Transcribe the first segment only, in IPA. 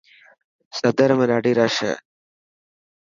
s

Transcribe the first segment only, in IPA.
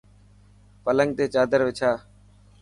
p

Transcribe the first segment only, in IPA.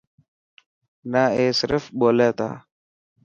n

